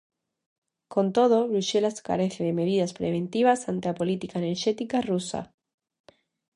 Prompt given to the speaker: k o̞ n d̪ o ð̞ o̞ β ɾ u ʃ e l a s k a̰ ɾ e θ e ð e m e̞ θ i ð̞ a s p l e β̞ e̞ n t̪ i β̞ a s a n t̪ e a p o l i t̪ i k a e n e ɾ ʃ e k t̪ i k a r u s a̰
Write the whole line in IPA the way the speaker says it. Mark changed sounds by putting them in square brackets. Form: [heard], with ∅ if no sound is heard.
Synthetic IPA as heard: k o̞ n [t̪] o ð̞ o̞ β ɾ u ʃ e l a s k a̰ ɾ e θ e ð e m e̞ [ð] i ð̞ a s p [ɾ] e β̞ e̞ n t̪ i β̞ a s a n t̪ e a p o l i t̪ i k a e n e ɾ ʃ e [∅] t̪ i k a r u s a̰